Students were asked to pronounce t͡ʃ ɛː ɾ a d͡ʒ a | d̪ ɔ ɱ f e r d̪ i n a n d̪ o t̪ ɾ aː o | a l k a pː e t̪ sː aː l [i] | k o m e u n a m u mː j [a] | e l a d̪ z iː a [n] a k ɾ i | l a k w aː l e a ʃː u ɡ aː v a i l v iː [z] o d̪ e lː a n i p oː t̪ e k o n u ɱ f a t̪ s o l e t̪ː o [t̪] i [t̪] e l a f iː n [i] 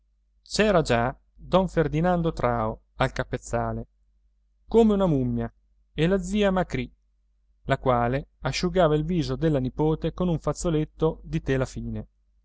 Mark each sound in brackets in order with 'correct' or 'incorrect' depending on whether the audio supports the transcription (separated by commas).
incorrect, correct, incorrect, correct, incorrect, correct, incorrect